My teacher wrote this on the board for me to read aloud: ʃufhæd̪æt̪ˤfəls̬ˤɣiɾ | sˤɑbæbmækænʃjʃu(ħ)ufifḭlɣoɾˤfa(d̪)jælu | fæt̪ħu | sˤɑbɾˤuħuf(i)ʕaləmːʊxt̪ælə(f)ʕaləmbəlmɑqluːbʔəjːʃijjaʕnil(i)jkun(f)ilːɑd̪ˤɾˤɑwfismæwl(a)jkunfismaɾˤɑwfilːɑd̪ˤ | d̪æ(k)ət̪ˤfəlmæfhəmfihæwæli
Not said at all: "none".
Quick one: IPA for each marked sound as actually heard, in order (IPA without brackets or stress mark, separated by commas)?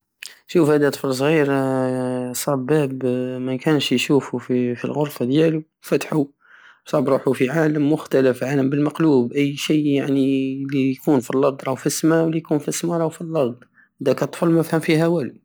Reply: f, d̪, i, f, i, f, i, k